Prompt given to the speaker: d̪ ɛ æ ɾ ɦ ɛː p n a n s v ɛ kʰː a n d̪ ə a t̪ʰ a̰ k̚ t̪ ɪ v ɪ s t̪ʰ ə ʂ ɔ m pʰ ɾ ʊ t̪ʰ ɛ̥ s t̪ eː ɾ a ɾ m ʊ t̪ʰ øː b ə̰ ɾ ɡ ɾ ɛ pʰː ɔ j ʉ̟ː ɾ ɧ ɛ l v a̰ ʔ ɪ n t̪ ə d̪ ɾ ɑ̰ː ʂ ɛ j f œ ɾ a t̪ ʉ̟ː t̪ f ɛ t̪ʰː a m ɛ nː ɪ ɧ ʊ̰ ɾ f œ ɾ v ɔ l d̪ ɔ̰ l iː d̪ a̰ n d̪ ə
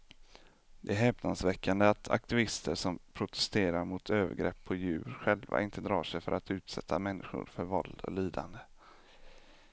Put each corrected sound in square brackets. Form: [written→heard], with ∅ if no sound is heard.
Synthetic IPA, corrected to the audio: d̪ ɛ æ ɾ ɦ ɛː p n a n s v ɛ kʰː a n d̪ ə a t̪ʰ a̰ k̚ t̪ ɪ v ɪ s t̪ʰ ə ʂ ɔ m pʰ ɾ ʊ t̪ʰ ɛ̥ s t̪ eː ɾ a ɾ m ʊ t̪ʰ øː [b→v] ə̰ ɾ ɡ ɾ ɛ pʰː ɔ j ʉ̟ː ɾ ɧ ɛ l v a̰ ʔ ɪ n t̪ ə d̪ ɾ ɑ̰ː ʂ ɛ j f œ ɾ a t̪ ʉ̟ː t̪ [f→s] ɛ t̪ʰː a m ɛ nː ɪ ɧ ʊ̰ ɾ f œ ɾ v ɔ l d̪ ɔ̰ l iː d̪ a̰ n d̪ ə